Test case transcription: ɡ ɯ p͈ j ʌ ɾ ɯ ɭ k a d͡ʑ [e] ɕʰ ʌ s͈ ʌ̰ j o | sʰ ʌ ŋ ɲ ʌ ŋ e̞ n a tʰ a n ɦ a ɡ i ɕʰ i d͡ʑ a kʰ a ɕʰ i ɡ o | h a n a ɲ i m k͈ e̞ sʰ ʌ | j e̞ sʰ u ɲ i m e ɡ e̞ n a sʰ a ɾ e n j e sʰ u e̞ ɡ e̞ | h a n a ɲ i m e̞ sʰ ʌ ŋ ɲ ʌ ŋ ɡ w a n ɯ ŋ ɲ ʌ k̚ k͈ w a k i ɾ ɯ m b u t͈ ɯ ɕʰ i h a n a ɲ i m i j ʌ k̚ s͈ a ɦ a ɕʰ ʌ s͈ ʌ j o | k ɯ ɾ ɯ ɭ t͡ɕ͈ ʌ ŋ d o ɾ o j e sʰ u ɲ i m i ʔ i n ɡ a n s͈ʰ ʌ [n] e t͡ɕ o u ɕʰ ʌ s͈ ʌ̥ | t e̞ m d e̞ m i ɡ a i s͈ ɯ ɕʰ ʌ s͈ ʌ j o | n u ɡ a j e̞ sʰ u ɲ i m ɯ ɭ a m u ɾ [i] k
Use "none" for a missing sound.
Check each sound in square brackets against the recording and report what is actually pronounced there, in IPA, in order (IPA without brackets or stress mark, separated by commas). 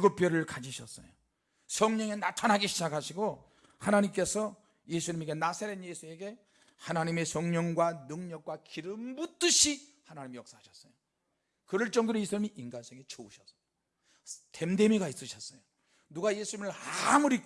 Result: i, ŋ, i